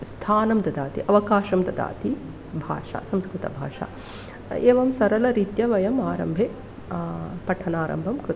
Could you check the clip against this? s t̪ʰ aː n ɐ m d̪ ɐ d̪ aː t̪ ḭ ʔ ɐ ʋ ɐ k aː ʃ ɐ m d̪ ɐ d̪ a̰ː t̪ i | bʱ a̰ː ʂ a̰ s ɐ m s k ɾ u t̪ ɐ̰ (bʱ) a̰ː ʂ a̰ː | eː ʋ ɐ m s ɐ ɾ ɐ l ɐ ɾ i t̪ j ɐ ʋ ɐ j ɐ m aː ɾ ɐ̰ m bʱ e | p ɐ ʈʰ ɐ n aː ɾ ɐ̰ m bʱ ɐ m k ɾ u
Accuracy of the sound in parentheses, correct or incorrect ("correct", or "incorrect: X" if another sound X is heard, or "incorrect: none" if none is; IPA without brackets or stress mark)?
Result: correct